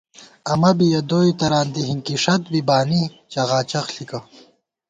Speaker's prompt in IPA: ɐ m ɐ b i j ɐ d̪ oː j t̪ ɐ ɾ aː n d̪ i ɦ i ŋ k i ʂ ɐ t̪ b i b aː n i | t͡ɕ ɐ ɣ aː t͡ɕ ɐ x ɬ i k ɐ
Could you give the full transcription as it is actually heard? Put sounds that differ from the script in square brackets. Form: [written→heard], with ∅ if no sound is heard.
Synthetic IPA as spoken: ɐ m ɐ b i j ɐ d̪ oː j t̪ ɐ ɾ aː n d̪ i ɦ i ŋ k i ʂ ɐ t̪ b i b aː n i | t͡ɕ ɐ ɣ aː t͡ɕ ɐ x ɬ i k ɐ